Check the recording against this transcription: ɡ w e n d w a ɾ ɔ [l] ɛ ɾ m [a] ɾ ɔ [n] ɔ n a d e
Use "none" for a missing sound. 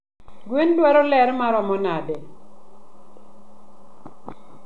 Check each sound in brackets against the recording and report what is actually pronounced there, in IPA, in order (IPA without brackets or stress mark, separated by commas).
l, a, m